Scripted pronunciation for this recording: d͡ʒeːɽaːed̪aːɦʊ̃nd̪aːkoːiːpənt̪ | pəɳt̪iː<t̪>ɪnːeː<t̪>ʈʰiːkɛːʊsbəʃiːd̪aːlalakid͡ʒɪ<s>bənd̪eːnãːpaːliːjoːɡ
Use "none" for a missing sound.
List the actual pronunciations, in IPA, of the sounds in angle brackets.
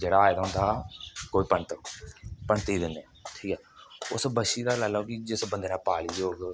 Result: d̪, none, s

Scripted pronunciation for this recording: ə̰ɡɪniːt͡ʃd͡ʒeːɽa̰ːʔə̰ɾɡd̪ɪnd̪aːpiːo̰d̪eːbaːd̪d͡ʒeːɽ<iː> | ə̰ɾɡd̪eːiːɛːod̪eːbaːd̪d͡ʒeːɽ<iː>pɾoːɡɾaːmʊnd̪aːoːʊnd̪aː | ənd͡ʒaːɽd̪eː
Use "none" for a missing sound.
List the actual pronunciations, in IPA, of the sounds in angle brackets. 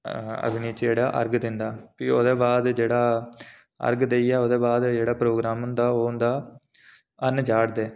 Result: aː, aː

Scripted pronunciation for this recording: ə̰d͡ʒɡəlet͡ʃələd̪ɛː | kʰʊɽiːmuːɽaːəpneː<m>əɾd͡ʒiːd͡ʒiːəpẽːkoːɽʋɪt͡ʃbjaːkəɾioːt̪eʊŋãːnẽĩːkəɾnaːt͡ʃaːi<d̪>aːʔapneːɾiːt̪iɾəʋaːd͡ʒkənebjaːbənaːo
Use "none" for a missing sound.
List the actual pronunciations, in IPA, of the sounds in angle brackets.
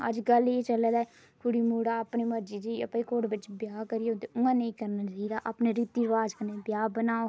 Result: m, d̪

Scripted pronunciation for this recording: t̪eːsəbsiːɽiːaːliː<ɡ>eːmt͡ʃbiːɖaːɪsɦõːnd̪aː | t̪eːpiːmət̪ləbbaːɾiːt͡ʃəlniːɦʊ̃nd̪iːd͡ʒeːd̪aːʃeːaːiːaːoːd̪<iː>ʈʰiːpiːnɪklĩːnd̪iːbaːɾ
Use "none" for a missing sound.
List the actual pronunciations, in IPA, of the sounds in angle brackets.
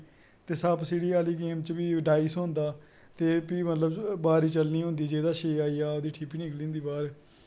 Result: ɡ, iː

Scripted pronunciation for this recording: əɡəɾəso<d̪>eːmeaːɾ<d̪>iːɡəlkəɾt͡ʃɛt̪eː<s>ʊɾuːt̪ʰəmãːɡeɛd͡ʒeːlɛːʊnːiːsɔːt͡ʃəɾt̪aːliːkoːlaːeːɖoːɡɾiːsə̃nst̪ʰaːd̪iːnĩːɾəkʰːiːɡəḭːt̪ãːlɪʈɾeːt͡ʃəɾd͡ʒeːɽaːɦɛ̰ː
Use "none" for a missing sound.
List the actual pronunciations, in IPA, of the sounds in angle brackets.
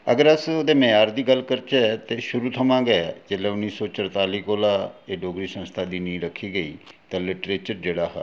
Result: d̪, d̪, ʃ

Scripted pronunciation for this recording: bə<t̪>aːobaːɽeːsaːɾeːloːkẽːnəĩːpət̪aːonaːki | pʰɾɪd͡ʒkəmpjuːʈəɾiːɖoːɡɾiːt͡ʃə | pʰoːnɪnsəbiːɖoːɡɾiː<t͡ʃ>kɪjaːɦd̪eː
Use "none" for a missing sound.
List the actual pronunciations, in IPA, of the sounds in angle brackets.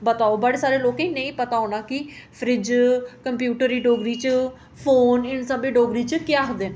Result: t̪, t͡ʃ

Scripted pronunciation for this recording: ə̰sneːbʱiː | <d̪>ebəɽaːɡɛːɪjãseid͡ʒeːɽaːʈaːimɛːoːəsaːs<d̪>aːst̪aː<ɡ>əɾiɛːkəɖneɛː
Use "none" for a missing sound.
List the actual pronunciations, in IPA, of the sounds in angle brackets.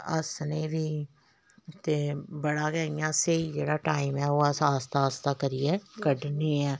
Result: t̪, t̪, k

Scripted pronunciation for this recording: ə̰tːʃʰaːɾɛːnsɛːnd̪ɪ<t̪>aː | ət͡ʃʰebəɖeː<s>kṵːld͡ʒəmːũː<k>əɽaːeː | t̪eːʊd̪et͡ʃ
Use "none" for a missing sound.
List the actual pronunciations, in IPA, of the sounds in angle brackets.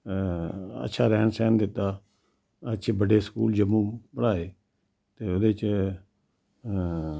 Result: t̪, s, p

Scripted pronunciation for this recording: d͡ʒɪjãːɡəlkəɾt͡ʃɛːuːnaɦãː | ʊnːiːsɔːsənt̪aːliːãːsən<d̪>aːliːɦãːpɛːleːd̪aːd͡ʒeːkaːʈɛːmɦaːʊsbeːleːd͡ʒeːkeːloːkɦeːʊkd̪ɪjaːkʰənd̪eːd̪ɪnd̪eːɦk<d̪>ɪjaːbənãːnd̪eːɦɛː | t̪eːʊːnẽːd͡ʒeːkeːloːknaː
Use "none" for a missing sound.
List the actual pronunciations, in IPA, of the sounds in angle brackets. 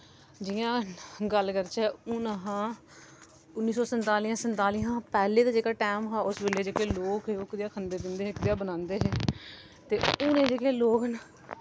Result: t̪, d̪

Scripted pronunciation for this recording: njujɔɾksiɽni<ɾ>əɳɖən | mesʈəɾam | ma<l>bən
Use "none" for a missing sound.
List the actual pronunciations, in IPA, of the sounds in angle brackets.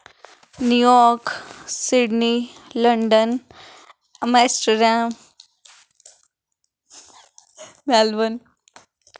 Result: l, l

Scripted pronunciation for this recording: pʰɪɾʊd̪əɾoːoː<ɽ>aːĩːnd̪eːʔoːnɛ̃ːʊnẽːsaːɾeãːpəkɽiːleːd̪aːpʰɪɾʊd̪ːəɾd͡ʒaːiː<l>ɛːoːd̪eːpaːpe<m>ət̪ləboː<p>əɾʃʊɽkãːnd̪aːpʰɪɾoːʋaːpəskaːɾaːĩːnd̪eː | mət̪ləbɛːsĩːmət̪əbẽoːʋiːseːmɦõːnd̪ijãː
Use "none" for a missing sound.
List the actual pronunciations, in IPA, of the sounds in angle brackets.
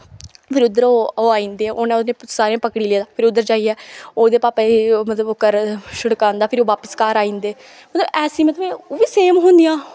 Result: none, none, m, k

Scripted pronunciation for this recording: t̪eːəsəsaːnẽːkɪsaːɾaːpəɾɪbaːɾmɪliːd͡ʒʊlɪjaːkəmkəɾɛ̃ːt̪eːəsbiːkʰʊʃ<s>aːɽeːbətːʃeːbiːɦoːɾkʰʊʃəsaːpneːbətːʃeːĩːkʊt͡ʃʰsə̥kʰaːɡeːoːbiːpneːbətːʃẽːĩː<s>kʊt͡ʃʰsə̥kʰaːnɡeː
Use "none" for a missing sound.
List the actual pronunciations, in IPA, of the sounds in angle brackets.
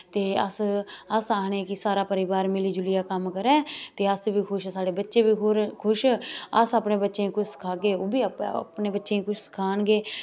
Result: s, none

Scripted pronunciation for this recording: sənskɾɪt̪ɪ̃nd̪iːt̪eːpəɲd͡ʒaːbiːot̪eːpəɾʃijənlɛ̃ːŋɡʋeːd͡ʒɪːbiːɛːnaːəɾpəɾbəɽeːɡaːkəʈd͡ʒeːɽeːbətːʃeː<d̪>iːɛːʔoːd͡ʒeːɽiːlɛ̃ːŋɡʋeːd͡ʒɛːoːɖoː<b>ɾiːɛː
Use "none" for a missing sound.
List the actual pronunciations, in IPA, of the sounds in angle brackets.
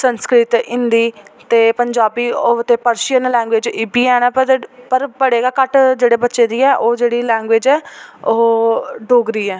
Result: d̪, ɡ

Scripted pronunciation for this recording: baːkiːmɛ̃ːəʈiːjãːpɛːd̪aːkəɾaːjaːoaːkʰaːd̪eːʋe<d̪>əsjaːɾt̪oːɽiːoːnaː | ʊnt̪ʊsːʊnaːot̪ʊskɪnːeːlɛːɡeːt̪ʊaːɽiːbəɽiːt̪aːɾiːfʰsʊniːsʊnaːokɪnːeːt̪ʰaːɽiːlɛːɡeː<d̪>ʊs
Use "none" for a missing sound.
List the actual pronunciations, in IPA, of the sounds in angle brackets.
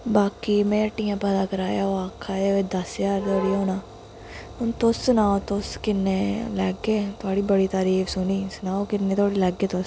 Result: d̪, t̪

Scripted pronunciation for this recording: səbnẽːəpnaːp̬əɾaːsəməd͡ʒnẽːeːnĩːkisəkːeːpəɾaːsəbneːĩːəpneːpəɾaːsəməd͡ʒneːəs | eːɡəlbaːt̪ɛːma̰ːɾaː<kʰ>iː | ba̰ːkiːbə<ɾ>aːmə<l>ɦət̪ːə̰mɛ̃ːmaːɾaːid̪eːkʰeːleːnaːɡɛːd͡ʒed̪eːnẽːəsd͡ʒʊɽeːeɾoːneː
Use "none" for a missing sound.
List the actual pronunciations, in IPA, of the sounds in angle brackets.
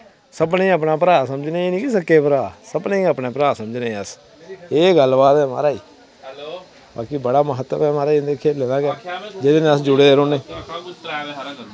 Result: none, ɽ, none

